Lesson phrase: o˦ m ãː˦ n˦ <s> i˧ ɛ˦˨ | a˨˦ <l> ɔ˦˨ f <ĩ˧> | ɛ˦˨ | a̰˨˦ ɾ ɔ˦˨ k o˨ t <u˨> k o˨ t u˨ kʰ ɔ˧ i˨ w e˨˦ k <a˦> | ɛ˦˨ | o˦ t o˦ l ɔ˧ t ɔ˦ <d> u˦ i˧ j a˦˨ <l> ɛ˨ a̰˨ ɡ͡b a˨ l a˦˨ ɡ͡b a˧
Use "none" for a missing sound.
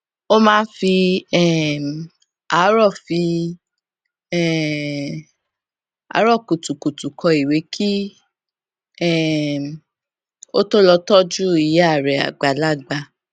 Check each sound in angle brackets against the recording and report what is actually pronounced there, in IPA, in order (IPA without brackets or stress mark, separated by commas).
f, ɾ, i˧, u˨, i˦, d͡ʒ, ɾ